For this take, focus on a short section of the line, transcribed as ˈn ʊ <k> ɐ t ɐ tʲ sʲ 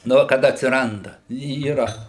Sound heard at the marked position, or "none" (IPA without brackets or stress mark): k